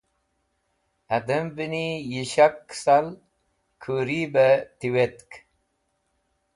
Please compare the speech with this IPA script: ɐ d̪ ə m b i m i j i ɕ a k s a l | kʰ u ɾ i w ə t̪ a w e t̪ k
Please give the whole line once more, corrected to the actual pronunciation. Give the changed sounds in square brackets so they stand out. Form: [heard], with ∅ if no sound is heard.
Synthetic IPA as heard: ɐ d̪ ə m b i [n] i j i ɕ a k s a l | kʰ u ɾ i [b] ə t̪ [i] w e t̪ k